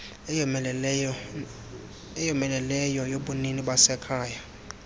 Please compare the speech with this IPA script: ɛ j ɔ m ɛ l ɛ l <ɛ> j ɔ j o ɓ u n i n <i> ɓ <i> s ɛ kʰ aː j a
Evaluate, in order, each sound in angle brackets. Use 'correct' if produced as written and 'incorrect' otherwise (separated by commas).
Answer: correct, correct, incorrect